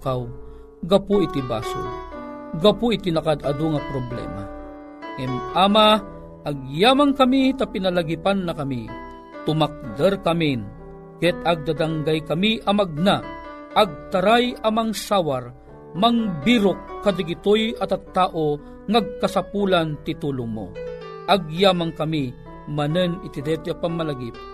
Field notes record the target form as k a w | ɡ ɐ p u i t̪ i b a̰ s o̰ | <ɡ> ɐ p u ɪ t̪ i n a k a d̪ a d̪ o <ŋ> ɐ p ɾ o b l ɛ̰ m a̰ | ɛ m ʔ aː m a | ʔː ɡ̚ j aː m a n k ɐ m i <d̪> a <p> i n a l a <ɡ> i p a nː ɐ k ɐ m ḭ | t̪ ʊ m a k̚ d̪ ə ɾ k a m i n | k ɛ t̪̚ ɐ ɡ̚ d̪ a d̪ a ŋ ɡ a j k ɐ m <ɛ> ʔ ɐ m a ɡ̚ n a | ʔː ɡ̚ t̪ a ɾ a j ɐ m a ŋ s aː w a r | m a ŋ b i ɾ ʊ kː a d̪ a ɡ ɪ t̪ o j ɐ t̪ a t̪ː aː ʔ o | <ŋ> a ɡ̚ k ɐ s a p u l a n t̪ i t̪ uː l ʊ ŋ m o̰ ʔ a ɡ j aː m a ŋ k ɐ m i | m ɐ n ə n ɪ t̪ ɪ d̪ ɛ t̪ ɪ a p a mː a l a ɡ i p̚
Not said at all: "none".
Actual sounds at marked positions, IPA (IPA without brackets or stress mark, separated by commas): ɡ, ŋ, t̪, p, ɡ, i, ŋ